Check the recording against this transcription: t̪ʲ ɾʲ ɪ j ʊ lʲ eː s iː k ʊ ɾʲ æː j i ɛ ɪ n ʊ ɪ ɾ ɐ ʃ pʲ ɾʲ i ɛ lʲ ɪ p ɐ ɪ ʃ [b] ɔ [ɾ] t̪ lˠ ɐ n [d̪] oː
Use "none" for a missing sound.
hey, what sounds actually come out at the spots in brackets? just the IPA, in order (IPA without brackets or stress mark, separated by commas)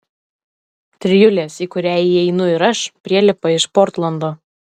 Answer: p, ɾ, d̪